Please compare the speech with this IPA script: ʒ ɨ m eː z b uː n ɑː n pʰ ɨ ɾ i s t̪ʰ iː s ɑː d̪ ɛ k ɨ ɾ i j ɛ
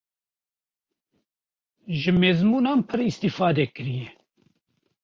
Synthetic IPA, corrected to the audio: ʒ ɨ m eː z m uː n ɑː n pʰ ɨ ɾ i s t̪ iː f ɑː d̪ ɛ k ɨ ɾ i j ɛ